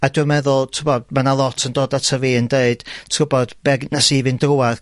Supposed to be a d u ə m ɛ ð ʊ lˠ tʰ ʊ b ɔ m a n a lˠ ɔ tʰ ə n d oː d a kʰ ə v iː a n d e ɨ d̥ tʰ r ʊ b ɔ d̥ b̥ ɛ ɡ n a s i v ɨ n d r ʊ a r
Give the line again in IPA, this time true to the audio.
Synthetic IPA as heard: a d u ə m ɛ ð ʊ lˠ tʰ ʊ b ɔ m a n a lˠ ɔ tʰ ə n d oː d a tʰ ə v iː ə n d e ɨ d̥ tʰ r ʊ b ɔ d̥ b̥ ɛ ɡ n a s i v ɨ n d r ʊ a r